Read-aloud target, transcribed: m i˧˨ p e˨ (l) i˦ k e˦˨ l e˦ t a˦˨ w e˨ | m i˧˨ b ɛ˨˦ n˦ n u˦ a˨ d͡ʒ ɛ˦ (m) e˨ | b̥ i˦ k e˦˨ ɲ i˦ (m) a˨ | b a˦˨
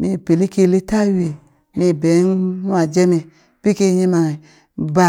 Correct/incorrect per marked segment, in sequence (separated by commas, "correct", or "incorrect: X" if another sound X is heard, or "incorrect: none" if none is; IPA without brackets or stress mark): correct, correct, correct